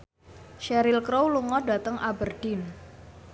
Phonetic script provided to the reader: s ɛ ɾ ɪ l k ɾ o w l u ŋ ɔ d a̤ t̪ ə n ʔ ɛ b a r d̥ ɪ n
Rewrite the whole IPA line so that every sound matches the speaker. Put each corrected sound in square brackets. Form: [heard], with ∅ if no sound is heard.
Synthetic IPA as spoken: [ʃ] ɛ ɾ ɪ l k ɾ o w l u ŋ ɔ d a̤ t̪ ə [ŋ] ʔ [a] b [ə] r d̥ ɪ n